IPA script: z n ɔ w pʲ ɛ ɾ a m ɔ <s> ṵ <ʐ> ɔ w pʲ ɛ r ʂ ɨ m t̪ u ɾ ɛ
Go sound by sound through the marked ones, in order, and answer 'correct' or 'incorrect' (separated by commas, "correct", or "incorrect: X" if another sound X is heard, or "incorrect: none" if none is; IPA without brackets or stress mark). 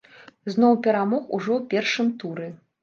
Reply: incorrect: x, correct